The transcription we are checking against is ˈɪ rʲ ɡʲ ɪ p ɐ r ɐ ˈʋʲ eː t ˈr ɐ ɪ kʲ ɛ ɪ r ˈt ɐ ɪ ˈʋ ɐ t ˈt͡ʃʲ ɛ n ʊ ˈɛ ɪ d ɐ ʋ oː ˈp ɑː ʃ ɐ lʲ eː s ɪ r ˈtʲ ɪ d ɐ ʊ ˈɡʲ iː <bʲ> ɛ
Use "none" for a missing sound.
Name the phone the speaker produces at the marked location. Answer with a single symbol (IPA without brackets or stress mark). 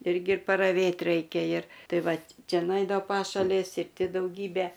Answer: bʲ